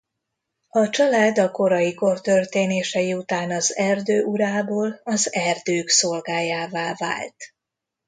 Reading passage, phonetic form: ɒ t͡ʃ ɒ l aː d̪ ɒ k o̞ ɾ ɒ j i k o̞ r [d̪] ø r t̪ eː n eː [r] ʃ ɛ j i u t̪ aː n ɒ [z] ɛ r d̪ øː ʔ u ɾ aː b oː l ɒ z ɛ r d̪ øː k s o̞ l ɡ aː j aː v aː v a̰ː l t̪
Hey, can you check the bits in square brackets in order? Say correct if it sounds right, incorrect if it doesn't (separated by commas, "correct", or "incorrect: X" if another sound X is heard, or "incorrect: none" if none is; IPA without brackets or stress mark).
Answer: incorrect: t̪, incorrect: none, correct